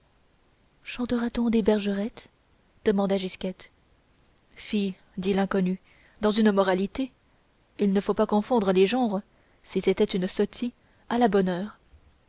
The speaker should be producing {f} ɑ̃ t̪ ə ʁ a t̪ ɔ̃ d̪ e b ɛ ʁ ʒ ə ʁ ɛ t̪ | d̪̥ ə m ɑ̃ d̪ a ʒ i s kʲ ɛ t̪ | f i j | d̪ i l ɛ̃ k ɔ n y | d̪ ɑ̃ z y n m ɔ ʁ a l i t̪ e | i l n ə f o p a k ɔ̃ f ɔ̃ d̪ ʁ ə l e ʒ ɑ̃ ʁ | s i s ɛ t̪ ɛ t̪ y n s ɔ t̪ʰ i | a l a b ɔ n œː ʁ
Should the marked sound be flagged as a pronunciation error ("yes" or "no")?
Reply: yes